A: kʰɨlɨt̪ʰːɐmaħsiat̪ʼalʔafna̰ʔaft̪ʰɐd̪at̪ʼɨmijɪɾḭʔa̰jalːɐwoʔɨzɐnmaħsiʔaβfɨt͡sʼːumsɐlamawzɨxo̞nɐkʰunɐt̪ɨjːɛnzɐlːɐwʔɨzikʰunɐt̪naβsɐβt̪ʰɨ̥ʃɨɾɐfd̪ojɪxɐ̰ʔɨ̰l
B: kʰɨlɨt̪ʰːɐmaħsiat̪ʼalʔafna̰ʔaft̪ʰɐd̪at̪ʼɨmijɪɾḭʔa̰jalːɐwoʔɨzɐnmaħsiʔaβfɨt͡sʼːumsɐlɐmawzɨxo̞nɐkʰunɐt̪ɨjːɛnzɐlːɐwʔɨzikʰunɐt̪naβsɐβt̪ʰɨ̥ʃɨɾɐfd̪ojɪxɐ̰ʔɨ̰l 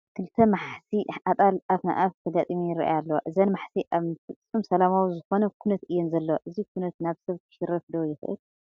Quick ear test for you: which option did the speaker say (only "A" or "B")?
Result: A